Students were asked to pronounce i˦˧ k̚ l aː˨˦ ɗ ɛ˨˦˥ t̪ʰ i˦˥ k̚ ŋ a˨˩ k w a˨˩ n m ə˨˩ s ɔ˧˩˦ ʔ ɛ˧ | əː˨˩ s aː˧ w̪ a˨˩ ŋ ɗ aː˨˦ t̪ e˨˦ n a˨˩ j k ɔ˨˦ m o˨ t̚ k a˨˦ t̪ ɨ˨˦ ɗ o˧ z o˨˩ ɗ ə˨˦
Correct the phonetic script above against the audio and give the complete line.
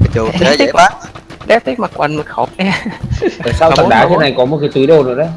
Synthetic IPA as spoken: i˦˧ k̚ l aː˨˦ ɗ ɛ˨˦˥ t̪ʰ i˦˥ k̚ m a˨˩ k w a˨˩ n m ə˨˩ x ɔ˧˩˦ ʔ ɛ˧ | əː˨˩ s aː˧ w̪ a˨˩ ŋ ɗ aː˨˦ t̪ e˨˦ n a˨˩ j k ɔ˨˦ m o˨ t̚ k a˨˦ t̪ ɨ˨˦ ɗ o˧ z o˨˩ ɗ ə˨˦